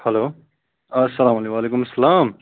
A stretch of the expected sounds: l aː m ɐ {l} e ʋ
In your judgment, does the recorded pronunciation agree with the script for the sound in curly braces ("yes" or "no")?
yes